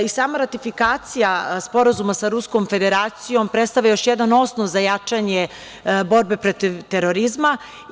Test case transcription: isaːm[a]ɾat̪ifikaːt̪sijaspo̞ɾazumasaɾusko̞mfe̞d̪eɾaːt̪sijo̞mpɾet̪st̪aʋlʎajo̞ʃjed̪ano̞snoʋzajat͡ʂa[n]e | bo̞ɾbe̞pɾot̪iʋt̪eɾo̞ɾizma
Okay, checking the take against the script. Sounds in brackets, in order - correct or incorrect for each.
correct, incorrect

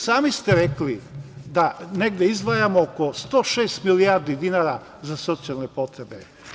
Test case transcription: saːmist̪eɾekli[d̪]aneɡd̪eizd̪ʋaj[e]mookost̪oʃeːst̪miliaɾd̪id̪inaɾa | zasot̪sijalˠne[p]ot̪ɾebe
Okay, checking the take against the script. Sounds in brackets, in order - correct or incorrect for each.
correct, incorrect, correct

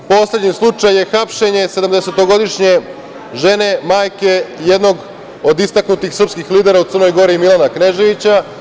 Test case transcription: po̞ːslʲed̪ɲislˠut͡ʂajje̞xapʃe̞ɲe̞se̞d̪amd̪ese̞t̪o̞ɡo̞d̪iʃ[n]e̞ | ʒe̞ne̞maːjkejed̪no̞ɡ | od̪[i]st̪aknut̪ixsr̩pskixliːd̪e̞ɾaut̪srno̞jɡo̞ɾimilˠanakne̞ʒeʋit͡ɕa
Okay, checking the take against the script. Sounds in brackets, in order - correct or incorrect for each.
incorrect, correct

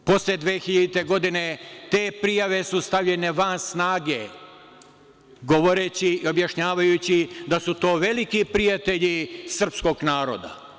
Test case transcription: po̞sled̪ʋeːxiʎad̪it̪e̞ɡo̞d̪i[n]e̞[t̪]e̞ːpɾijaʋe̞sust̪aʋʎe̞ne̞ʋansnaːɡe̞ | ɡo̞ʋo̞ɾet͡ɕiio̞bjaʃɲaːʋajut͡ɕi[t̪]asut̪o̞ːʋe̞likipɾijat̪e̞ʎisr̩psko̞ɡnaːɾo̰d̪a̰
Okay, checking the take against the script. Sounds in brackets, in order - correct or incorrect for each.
correct, correct, incorrect

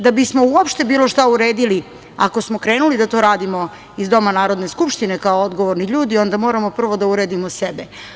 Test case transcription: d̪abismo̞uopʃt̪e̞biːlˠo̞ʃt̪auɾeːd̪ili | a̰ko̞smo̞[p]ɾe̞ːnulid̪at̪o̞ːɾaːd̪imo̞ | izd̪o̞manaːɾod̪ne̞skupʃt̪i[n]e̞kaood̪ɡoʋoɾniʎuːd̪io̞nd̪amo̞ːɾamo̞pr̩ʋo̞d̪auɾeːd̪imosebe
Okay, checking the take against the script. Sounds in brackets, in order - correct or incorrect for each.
incorrect, correct

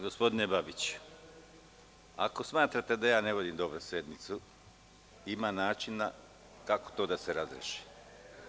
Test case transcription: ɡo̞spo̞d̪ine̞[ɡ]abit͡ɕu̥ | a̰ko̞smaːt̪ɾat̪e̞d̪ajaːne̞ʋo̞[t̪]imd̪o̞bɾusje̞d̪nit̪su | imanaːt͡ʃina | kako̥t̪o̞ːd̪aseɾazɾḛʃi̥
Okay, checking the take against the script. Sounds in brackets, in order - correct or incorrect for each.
incorrect, incorrect

